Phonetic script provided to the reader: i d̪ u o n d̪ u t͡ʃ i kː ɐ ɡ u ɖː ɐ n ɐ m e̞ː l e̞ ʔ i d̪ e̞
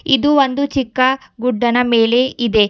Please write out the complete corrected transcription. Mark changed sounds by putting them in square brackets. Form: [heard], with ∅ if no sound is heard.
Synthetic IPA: i d̪ u o n d̪ u t͡ʃ i kː ɐ ɡ u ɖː ɐ n ɐ m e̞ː l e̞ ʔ i d̪ e̞

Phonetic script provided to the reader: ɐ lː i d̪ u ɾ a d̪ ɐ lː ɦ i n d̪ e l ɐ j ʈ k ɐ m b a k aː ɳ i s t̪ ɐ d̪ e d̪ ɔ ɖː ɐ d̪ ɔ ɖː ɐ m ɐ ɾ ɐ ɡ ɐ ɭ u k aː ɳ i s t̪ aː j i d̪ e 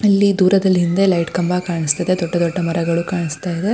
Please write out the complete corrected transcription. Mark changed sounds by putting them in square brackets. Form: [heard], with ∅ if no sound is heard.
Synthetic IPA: ɐ lː i d̪ [uː] ɾ [ɐ] d̪ ɐ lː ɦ i n d̪ e l ɐ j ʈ k ɐ m b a k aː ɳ i s t̪ ɐ d̪ e d̪ ɔ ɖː ɐ d̪ ɔ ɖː ɐ m ɐ ɾ ɐ ɡ ɐ ɭ u k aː ɳ i s t̪ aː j i d̪ e

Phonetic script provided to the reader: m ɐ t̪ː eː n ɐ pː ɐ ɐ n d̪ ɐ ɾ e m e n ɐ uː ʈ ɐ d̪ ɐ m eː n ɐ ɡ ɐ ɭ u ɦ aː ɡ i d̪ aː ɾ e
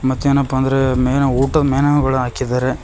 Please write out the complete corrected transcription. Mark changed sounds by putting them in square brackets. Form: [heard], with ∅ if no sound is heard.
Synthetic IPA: m ɐ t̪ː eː n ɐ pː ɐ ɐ n d̪ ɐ ɾ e m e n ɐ uː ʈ ɐ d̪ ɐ m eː n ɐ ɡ ɐ ɭ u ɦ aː [k] i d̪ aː ɾ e

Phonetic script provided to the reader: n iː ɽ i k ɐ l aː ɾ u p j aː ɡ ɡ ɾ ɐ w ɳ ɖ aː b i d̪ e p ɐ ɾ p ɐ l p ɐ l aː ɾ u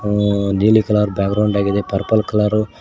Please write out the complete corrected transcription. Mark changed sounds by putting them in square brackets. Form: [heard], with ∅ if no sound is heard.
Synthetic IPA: n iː [l] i k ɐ l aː ɾ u [b] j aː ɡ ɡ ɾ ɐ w ɳ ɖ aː [ɡ] i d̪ e p ɐ ɾ p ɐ l [k] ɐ l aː ɾ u

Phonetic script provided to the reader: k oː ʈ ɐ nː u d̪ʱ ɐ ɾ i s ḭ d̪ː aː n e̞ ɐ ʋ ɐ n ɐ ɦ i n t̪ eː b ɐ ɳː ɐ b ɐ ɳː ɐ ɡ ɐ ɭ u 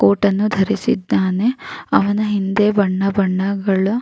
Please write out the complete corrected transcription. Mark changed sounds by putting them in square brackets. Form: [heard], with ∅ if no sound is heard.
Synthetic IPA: k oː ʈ ɐ nː u d̪ʱ ɐ ɾ i s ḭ d̪ː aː n e̞ ɐ ʋ ɐ n ɐ ɦ i n [d̪] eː b ɐ ɳː ɐ b ɐ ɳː ɐ ɡ ɐ ɭ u

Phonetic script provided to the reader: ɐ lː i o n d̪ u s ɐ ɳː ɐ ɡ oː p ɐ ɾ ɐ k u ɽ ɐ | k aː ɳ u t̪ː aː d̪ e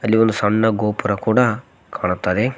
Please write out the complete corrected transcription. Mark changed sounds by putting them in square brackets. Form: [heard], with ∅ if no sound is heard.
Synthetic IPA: ɐ lː i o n d̪ u s ɐ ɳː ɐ ɡ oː p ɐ ɾ ɐ k [uː] ɽ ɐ | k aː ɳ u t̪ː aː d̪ e

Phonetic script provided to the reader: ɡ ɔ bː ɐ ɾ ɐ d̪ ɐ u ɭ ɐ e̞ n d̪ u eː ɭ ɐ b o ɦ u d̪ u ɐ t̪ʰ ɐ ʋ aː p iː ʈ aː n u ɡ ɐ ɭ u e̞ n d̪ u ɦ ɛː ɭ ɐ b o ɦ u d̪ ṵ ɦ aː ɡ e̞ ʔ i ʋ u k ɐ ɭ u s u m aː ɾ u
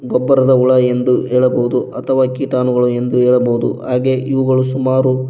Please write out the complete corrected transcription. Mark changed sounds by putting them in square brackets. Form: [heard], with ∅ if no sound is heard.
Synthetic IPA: ɡ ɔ bː ɐ ɾ ɐ d̪ ɐ u ɭ ɐ e̞ n d̪ u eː ɭ ɐ b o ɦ u d̪ u ɐ t̪ʰ ɐ ʋ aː [k] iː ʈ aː n u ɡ ɐ ɭ u e̞ n d̪ u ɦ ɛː ɭ ɐ b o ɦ u d̪ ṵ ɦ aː ɡ e̞ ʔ i ʋ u [ɡ] ɐ ɭ u s u m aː ɾ u

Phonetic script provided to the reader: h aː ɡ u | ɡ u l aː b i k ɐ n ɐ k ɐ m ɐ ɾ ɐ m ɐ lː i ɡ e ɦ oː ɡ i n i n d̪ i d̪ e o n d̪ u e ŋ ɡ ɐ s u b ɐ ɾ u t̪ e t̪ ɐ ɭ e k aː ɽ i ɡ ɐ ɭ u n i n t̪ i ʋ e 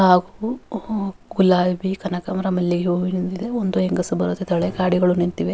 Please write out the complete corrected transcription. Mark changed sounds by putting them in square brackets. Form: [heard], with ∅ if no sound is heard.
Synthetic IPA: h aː ɡ u | ɡ u l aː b i k ɐ n ɐ k ɐ m ɐ ɾ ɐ m ɐ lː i ɡ e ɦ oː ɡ i n i n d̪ i d̪ e o n d̪ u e ŋ ɡ ɐ s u b ɐ ɾ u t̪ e t̪ ɐ ɭ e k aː ɽ i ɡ ɐ ɭ u n i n t̪ i ʋ e

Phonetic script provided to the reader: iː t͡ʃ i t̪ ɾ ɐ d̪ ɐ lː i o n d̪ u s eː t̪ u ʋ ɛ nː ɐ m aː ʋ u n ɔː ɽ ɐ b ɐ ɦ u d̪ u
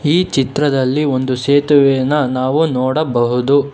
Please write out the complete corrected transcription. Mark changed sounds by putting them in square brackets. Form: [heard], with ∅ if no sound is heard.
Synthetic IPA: iː t͡ʃ i t̪ ɾ ɐ d̪ ɐ lː i o n d̪ u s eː t̪ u ʋ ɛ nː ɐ [n] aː ʋ u n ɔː ɽ ɐ b ɐ ɦ u d̪ u

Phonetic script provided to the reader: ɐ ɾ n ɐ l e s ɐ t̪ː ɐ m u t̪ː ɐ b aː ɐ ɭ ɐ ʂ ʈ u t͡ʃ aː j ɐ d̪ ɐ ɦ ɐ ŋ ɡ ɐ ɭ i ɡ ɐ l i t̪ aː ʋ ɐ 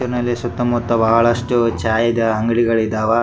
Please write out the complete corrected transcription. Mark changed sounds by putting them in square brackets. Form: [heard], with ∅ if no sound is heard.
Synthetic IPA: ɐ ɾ n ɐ l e s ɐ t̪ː ɐ m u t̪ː ɐ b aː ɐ ɭ ɐ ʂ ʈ u t͡ʃ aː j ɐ d̪ ɐ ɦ ɐ ŋ ɡ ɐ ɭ i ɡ ɐ [ɭ] i [d̪] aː ʋ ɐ

